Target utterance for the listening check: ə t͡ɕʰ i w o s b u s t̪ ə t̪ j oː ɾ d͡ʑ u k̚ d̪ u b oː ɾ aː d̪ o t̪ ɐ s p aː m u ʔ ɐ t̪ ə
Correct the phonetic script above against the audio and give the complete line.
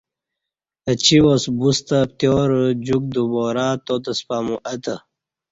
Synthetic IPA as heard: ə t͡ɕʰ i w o s b u s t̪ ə t̪ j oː ɾ d͡ʑ u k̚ d̪ u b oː ɾ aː t̪ o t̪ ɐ s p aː m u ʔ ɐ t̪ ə